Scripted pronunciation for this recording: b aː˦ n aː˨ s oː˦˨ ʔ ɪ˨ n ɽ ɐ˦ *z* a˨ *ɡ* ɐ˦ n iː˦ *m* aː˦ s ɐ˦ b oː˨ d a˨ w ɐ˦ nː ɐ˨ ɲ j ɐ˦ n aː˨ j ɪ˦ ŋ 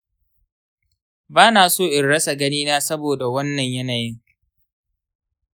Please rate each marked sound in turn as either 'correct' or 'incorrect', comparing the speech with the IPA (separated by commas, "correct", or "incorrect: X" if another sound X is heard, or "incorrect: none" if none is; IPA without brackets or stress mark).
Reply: incorrect: s, correct, incorrect: n